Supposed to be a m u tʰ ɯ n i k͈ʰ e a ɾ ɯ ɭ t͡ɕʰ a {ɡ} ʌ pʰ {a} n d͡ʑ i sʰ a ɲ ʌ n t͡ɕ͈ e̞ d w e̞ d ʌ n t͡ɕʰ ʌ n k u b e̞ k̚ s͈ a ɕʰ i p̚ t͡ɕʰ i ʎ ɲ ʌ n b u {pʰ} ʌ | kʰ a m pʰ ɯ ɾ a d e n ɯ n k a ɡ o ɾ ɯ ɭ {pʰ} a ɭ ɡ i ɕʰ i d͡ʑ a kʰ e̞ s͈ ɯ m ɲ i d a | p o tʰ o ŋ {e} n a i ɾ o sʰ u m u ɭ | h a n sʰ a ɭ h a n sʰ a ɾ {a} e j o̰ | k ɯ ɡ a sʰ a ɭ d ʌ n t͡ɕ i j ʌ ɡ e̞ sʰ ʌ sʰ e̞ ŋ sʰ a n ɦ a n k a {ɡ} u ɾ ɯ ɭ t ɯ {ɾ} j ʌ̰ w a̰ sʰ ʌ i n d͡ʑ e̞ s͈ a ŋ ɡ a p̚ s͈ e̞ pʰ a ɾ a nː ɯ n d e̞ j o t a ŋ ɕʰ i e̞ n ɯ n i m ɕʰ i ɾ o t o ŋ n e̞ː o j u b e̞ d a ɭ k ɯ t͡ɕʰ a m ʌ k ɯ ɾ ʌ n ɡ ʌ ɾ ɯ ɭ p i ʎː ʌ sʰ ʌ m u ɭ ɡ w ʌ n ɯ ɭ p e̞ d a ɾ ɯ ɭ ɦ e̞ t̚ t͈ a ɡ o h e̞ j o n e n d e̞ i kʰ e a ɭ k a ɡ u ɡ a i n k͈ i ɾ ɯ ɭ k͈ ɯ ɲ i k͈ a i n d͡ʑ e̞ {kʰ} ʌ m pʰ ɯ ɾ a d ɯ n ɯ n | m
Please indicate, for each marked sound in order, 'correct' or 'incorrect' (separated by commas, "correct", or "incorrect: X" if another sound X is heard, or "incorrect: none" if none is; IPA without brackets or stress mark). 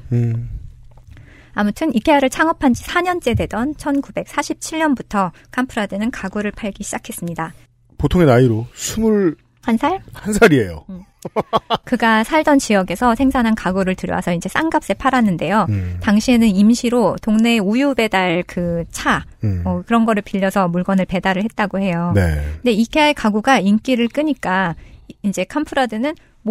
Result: incorrect: ŋ, correct, incorrect: tʰ, correct, correct, incorrect: i, correct, correct, correct